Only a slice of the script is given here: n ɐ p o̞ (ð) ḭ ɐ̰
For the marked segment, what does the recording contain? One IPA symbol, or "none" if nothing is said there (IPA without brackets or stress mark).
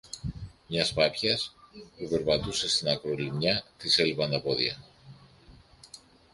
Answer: ð